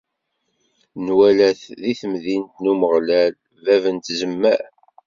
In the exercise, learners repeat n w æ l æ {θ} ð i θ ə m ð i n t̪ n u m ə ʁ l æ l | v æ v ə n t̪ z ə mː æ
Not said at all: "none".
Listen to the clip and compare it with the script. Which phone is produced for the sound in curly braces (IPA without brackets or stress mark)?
θ